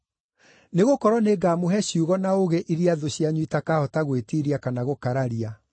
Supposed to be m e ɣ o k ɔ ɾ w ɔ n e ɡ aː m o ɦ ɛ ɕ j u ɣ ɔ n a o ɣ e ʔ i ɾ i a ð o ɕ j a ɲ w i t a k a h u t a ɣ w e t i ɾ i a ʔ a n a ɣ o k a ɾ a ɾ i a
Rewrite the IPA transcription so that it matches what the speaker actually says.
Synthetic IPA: n e ɣ o k ɔ ɾ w ɔ n e ɡ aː m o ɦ ɛ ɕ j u ɣ ɔ n a o ɣ e ʔ i ɾ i a ð o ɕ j a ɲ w i t a k a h ɔ t a ɣ w e t i ɾ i a k a n a ɣ o k a ɾ a ɾ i a

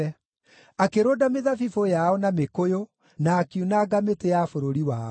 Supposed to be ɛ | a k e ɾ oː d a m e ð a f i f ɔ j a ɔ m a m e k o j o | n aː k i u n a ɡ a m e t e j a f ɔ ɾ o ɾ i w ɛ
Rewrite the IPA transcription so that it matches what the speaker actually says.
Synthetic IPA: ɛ | a k e ɾ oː d a m e ð a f i f o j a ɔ n a m e k o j o | n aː k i u n a ɡ a m e t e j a f o ɾ o ɾ i w a

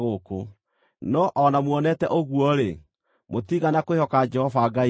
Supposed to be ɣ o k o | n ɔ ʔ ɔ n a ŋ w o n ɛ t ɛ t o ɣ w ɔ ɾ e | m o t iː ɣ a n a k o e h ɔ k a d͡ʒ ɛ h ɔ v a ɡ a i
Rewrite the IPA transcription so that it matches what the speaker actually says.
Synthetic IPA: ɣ o k o | n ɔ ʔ ɔ n a m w ɔ n ɛ t ɛ ʔ o ɣ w ɔ ɾ e | m o t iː ɣ a n a k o e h ɔ k a d͡ʒ ɛ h ɔ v a ɡ a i

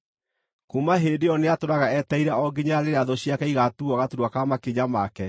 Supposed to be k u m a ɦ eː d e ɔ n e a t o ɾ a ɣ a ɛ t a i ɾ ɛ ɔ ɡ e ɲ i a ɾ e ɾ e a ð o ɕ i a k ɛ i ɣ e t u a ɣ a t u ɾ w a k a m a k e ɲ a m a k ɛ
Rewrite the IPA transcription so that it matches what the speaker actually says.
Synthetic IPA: k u m a ɦ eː d e ɔ n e a t o ɾ a ɣ a ɛ t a i ɾ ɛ ɔ ɡ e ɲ a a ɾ e ɾ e a ð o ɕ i a k ɛ i ɣ a t u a ɣ a t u ɾ w a k a m a k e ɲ a m a k ɛ

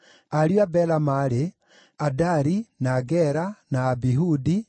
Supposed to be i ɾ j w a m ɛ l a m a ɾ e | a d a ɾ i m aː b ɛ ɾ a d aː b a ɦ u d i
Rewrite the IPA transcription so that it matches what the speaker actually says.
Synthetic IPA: a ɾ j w a b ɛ l a m a ɾ e | a d a ɾ i n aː ɡ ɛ ɾ a n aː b i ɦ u d i

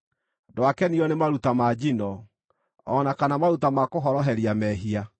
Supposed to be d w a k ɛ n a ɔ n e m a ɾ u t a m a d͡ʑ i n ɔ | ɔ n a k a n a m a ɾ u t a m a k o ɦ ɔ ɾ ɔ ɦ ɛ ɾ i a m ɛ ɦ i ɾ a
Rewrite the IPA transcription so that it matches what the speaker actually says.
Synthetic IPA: d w a k ɛ n i ɔ n e m a ɾ u t a m a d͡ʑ i n ɔ | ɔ n a k a n a m a ɾ u t a m a k o ɦ ɔ ɾ ɔ ɦ ɛ ɾ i a m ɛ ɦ i a

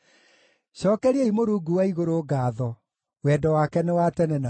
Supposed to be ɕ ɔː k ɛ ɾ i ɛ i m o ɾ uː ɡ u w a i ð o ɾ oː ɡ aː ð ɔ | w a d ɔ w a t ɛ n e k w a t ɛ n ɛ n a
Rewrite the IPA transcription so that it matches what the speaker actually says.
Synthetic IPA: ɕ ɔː k ɛ ɾ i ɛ i m o ɾ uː ɡ u w a i ɣ o ɾ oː ɡ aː ð ɔ | w ɛ d ɔ w a k ɛ n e w a t ɛ n ɛ n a

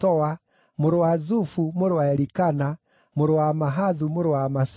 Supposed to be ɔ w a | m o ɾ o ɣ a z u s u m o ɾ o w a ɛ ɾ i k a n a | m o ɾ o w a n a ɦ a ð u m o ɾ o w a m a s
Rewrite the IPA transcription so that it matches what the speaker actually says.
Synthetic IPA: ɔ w a | m o ɾ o w a z u f u m o ɾ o w a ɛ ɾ i k a n a | m o ɾ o w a m a ɦ a ð u m o ɾ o w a m a s

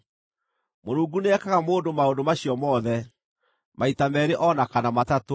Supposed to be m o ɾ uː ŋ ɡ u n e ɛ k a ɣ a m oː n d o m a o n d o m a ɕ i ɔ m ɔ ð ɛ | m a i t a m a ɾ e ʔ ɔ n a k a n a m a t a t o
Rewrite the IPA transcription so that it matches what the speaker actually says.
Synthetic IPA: m o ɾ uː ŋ ɡ u n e ɛ k a ɣ a m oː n d o m a o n d o m a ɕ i ɔ m ɔ ð ɛ | m a i t a m ɛ ɾ e ʔ ɔ n a k a n a m a t a t o

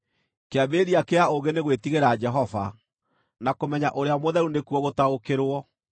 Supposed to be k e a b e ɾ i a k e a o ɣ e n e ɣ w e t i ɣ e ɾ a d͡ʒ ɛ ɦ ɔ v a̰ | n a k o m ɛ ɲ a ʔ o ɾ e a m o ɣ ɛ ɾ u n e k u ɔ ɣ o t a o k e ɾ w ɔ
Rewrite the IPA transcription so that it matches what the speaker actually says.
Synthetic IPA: k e a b e ɾ i a k e a o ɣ e n e ɣ w e t i ɣ e ɾ a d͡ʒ ɛ ɦ ɔ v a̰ | n a k o m ɛ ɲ a ʔ o ɾ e a m o ð ɛ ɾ u n e k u ɔ ɣ o t a o k e ɾ w ɔ

